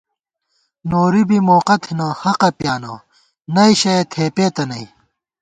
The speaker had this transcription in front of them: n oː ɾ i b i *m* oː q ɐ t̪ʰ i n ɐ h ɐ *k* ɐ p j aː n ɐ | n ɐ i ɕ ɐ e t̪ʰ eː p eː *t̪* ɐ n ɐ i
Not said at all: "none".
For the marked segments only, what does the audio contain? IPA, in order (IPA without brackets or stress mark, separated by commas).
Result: m, q, t̪